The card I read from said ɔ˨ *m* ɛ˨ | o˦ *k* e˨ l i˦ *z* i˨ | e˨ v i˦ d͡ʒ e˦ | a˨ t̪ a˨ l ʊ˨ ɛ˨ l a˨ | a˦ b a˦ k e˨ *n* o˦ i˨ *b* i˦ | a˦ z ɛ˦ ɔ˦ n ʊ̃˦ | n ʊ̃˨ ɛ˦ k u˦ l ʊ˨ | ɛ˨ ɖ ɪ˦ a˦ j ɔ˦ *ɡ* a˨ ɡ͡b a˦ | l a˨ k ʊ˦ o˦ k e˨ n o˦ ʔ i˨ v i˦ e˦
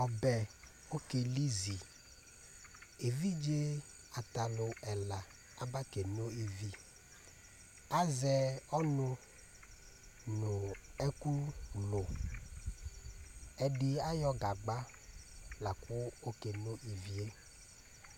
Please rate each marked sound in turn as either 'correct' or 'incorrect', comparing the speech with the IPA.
incorrect: b, correct, correct, correct, incorrect: v, correct

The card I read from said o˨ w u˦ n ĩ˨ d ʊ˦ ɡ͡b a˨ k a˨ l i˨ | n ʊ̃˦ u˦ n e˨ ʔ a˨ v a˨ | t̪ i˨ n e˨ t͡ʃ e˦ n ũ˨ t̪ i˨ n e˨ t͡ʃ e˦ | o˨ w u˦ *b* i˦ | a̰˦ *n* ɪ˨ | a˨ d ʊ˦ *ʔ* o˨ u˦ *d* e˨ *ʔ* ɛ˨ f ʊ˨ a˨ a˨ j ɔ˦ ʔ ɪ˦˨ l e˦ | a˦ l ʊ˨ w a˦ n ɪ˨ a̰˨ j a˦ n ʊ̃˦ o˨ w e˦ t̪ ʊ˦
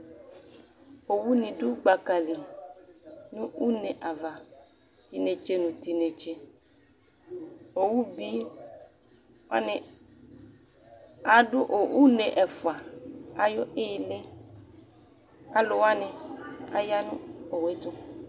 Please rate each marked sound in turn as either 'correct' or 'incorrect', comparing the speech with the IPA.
correct, correct, correct, incorrect: n, correct

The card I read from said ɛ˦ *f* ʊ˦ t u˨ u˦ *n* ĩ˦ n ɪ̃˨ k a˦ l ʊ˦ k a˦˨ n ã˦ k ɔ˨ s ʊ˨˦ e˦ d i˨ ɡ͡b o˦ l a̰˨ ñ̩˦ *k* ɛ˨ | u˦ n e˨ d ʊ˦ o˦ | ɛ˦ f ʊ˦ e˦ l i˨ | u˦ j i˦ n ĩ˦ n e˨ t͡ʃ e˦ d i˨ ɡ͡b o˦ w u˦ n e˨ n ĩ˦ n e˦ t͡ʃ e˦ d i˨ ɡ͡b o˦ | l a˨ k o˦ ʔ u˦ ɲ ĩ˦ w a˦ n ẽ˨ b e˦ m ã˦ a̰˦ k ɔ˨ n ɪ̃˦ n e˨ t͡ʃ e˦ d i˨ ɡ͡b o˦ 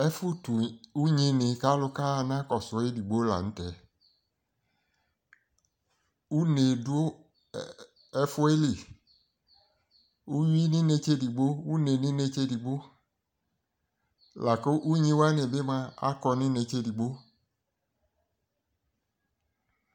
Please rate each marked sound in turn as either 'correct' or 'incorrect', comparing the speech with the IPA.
correct, incorrect: ɲ, incorrect: t

